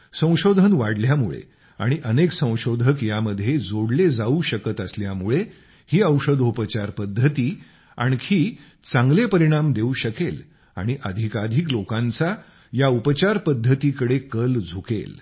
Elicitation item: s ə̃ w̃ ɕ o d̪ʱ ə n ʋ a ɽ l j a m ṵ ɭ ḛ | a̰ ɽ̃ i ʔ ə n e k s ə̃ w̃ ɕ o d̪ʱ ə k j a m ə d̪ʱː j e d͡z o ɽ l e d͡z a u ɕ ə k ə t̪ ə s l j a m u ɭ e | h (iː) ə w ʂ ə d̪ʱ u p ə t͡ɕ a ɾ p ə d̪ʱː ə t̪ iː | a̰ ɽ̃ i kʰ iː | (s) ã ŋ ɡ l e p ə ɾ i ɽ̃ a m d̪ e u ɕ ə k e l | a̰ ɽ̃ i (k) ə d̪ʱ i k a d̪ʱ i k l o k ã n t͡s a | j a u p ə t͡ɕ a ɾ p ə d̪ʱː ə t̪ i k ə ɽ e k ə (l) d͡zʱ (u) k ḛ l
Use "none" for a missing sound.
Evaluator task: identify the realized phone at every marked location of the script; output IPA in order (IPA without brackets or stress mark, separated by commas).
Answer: iː, t͡s, ʔ, l, u